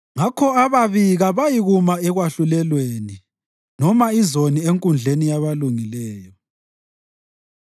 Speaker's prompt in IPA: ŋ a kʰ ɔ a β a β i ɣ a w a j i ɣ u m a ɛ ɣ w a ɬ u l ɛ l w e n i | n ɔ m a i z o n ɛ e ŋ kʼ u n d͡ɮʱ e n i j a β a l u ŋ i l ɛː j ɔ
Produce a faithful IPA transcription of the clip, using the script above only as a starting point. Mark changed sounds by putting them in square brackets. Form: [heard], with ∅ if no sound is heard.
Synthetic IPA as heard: ŋ a kʰ ɔ a β a β i ɣ a [β] a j i ɣ u m a ɛ ɣ w a ɬ u l ɛ l w e n i | n ɔ m a i z o n [i] e ŋ kʼ u n d͡ɮʱ e n i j a β a l u ŋ i l ɛː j ɔ